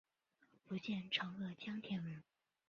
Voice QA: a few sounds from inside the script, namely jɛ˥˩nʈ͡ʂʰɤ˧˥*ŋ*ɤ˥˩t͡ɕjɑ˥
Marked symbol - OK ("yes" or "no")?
yes